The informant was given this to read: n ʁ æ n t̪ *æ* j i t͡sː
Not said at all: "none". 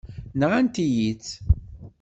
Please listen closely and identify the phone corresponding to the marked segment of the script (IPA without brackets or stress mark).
i